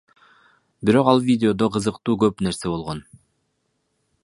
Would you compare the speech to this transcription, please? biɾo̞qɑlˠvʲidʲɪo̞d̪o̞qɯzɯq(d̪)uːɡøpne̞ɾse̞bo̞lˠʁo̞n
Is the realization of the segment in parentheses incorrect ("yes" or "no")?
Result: yes